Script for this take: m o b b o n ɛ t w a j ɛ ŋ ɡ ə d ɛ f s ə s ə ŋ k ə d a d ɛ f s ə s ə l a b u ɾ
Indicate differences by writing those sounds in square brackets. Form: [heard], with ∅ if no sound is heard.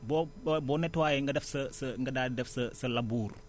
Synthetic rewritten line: [b] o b b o n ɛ t w a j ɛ ŋ ɡ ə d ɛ f s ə s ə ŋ [ɡ] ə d a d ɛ f s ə s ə l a b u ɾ